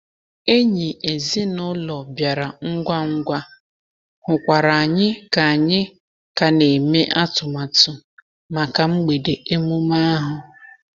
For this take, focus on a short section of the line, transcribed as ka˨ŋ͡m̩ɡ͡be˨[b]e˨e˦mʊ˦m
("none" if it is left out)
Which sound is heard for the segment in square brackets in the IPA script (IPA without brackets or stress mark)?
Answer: d